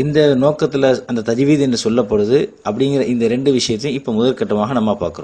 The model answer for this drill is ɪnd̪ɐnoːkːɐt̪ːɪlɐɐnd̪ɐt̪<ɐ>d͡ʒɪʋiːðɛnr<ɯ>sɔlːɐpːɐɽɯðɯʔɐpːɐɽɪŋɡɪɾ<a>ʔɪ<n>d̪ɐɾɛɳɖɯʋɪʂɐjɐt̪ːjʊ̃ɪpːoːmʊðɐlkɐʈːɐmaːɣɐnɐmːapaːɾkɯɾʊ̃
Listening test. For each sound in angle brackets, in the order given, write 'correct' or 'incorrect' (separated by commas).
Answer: correct, correct, incorrect, correct